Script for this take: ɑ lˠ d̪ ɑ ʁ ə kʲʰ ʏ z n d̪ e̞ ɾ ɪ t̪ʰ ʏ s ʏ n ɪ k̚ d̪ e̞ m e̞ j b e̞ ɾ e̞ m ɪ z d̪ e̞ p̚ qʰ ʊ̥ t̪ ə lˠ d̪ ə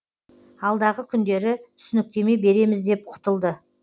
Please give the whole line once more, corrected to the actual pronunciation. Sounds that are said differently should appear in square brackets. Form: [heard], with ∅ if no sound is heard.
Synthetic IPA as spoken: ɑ lˠ d̪ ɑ ʁ ə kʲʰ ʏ [∅] n d̪ e̞ ɾ ɪ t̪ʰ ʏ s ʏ n ɪ k̚ [t̪] e̞ m e̞ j b e̞ ɾ e̞ m ɪ z d̪ e̞ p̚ qʰ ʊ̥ t̪ ə lˠ d̪ ə